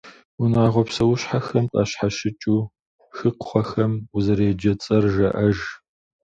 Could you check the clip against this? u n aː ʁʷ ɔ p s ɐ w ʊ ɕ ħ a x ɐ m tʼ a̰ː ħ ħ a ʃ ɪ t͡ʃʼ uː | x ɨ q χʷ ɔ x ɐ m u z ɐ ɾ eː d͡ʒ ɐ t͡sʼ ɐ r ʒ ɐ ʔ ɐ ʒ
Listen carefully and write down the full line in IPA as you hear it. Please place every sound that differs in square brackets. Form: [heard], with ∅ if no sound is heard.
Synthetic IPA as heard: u n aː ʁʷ ɔ p s ɐ w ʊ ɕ ħ a x ɐ m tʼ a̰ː [ɕ] ħ a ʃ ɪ t͡ʃʼ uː | x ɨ q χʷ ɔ x ɐ m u z ɐ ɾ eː d͡ʒ ɐ t͡sʼ ɐ r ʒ ɐ ʔ ɐ ʒ